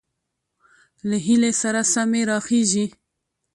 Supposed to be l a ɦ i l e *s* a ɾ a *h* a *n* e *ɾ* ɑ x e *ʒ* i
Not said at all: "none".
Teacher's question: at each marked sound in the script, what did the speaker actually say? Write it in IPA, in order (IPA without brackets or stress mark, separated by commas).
s, s, m, ɾ, ʒ